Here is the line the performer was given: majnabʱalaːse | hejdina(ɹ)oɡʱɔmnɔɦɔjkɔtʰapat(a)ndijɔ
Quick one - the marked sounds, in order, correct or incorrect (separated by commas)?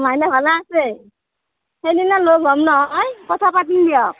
incorrect, incorrect